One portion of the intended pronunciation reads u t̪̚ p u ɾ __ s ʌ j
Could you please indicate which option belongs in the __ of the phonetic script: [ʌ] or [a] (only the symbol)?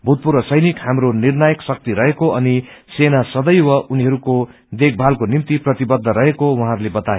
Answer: ʌ